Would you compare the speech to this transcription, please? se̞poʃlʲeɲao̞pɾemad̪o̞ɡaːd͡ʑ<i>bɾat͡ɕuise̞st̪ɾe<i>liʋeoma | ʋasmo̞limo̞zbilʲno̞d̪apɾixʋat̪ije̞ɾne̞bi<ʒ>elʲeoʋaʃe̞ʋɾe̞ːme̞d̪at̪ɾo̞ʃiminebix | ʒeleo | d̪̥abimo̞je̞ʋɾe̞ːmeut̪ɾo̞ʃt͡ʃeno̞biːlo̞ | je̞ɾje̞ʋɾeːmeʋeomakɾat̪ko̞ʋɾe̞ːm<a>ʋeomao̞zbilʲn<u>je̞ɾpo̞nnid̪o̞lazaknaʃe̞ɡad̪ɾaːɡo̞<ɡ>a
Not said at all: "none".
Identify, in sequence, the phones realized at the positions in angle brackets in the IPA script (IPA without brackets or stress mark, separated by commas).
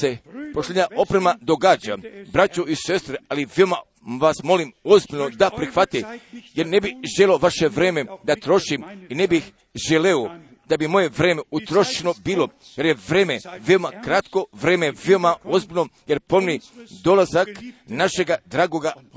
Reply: a, a, ʒ, e, o, ɡ